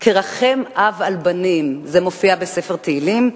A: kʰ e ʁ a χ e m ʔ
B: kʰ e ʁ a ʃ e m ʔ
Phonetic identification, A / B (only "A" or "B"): A